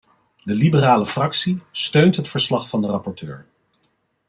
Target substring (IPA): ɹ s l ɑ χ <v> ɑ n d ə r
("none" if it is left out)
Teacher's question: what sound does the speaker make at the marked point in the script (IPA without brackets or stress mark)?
f